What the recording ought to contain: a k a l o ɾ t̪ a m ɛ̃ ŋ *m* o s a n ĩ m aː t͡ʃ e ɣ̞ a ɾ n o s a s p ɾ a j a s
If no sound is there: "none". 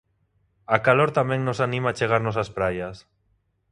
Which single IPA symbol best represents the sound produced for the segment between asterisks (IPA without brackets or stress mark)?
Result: n